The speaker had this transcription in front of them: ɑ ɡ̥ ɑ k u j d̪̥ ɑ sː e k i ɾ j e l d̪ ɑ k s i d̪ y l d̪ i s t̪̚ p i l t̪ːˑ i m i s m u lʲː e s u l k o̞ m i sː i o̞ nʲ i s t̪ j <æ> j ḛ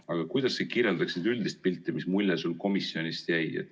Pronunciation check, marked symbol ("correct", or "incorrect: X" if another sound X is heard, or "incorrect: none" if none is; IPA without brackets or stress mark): correct